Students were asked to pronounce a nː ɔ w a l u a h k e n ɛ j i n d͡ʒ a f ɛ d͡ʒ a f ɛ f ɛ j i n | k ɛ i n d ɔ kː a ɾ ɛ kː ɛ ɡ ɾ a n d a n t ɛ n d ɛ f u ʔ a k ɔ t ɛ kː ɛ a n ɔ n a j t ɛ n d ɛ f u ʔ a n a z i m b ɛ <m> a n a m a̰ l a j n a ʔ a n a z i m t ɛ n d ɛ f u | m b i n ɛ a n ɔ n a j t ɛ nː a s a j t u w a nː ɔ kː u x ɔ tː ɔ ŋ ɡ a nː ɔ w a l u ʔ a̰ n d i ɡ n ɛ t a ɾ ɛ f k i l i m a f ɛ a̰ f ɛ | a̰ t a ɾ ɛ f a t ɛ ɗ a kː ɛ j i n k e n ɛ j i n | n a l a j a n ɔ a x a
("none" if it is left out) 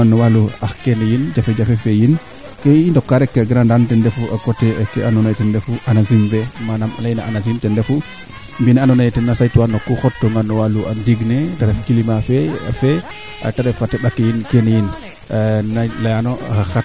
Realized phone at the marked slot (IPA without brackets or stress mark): m